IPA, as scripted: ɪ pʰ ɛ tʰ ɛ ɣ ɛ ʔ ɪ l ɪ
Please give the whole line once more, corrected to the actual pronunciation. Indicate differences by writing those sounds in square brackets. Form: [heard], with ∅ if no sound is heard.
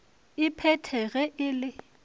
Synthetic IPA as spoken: ɪ pʰ ɛ tʰ ɛ ɣ ɛ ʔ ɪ l ɪ